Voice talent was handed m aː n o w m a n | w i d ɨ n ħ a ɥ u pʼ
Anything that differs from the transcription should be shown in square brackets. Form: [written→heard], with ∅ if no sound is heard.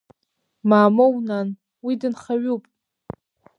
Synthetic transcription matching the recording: m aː [n→m] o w [m→n] a n | w i d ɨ n [ħ→χ] a ɥ u pʼ